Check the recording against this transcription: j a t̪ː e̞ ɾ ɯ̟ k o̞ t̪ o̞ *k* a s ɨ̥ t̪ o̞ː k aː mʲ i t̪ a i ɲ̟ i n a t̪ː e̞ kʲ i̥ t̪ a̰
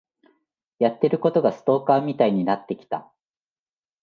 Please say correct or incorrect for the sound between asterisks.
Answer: incorrect